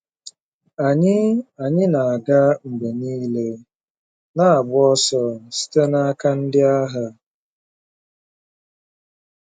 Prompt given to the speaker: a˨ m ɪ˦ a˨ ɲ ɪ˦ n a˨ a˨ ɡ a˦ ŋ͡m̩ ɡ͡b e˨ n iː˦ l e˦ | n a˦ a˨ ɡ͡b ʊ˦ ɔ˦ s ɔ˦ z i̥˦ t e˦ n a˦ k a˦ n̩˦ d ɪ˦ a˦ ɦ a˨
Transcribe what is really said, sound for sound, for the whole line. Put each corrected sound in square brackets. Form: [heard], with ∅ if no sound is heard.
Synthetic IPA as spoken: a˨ [ɲ] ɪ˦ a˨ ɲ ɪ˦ n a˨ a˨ ɡ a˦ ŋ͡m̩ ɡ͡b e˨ n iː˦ l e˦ | n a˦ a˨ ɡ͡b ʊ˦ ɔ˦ s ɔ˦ [s] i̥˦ t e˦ n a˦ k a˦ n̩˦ d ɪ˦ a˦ ɦ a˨